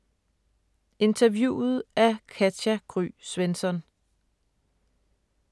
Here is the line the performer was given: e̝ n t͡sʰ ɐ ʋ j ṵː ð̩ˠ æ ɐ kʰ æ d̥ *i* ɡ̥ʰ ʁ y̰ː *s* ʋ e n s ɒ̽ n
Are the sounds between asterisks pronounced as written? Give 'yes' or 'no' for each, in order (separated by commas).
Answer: no, yes